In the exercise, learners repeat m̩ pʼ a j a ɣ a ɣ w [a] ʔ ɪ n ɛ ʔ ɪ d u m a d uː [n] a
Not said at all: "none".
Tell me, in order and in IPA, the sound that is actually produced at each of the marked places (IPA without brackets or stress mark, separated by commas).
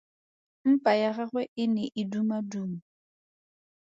ɛ, m